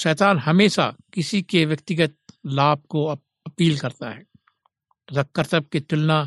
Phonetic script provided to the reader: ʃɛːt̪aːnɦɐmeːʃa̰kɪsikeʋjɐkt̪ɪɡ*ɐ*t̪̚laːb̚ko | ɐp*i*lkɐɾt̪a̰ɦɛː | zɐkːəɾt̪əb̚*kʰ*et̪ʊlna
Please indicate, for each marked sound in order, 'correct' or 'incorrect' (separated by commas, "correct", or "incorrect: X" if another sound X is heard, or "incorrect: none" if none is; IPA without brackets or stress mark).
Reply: incorrect: ə, incorrect: iː, incorrect: k